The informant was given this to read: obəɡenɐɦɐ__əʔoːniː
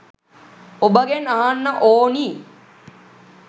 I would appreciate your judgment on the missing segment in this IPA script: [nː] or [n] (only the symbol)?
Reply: nː